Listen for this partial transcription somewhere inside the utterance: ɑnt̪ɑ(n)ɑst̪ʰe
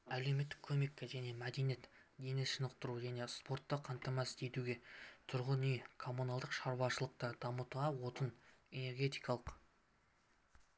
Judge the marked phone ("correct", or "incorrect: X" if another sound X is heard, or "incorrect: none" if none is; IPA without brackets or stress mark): incorrect: m